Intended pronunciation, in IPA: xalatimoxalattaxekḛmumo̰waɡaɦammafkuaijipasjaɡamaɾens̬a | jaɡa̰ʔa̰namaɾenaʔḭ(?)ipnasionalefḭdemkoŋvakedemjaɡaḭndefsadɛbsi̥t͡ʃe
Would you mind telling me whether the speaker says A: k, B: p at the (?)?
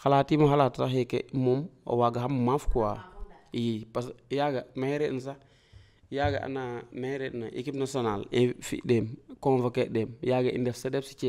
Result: A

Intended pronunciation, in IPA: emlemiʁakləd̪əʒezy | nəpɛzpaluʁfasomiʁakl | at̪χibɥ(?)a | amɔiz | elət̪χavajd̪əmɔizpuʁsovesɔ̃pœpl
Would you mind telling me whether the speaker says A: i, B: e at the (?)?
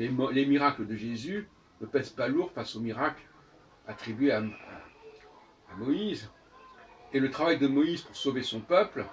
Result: B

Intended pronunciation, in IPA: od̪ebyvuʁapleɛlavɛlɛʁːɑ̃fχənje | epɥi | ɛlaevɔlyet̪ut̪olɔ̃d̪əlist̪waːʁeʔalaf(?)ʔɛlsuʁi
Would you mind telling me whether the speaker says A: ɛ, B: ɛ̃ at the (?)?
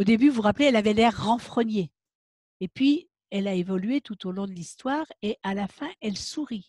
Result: B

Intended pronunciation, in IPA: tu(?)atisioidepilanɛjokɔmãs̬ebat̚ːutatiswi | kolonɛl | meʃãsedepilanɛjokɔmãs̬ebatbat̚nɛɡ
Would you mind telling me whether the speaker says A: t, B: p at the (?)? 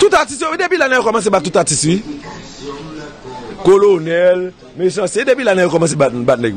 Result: A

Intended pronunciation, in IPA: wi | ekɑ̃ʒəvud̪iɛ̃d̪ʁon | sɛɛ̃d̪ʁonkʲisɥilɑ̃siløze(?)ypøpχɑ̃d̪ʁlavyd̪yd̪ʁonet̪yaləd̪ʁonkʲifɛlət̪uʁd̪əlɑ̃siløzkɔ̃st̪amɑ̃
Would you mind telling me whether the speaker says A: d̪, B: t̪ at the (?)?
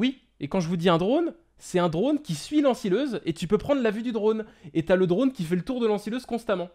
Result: B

